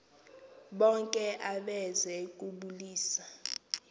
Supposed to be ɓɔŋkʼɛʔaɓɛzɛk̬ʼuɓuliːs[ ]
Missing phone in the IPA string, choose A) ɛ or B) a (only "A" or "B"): B